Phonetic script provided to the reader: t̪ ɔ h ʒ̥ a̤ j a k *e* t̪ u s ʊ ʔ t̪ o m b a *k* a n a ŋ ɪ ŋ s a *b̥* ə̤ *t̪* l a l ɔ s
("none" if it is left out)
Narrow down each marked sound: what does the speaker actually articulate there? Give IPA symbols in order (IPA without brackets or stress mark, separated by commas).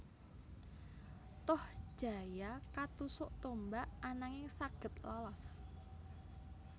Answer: a, ʔ, ɡ̥, t̪